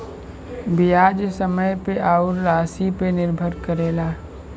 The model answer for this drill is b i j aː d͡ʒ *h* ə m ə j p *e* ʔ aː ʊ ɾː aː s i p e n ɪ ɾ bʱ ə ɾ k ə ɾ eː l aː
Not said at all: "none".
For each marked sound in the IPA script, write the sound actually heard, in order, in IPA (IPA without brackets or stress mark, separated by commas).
s, e